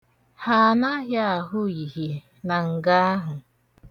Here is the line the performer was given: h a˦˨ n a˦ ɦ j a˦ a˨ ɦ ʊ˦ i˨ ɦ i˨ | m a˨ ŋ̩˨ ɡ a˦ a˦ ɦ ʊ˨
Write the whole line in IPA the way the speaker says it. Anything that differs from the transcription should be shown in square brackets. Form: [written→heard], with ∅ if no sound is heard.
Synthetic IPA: h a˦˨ n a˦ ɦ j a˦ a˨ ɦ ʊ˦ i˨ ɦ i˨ | [m→n] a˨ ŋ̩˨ ɡ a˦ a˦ ɦ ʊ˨